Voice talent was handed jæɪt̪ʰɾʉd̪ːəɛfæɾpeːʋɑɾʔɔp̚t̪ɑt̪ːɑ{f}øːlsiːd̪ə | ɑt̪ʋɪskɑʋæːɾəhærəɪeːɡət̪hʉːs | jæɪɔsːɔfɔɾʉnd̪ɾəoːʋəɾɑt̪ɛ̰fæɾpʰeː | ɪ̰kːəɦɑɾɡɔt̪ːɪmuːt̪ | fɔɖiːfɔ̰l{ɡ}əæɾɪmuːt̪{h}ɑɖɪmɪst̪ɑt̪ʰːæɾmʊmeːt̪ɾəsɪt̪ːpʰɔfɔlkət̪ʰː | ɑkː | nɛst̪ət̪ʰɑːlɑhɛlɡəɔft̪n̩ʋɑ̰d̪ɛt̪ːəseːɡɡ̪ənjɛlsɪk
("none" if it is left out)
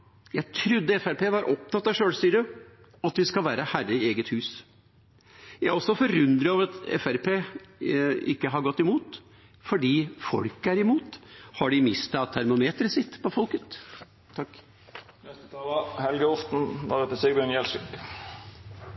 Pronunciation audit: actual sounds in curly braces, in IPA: ʂ, k, h

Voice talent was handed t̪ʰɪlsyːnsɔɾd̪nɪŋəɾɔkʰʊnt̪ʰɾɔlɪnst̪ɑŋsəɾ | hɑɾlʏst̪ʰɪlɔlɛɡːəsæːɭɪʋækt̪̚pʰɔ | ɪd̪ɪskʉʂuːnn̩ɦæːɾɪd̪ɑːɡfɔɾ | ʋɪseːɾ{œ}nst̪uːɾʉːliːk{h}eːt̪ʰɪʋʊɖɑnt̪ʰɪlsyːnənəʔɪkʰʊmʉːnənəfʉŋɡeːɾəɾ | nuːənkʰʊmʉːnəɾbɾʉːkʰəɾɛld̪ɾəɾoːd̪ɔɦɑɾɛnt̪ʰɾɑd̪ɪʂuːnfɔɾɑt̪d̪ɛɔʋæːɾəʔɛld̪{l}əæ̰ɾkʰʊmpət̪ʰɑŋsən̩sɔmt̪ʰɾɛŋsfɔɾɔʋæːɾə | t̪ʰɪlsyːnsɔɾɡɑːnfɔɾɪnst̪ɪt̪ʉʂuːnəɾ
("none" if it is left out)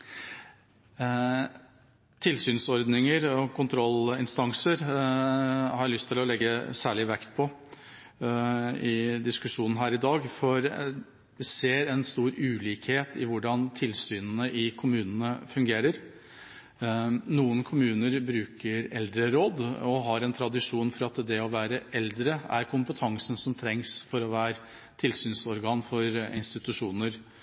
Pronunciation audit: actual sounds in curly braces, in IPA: ɛ, h, ɾ

